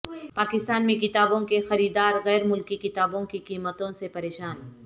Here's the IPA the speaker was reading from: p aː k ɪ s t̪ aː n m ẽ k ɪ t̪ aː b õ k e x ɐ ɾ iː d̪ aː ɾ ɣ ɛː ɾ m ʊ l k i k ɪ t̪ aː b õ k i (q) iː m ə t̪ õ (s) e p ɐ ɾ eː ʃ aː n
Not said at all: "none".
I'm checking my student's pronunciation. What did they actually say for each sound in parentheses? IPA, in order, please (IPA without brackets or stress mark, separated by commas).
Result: k, s